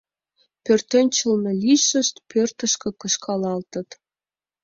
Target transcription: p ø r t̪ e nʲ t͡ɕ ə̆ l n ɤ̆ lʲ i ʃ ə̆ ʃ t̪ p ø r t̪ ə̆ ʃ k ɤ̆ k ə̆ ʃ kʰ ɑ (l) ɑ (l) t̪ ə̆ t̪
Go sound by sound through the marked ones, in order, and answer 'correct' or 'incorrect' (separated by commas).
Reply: correct, correct